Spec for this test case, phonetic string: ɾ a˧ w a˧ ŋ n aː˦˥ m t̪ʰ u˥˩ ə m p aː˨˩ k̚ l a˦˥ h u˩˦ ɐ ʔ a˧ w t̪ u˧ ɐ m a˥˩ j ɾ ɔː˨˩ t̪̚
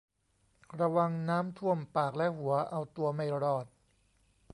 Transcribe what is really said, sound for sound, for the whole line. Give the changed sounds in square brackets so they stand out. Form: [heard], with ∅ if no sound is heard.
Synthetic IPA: ɾ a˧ w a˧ ŋ n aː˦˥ m t̪ʰ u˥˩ ə m p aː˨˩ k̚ l [ɛ˦˥] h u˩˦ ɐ ʔ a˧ w t̪ u˧ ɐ m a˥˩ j ɾ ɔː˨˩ t̪̚